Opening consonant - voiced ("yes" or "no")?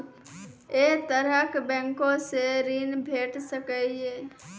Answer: no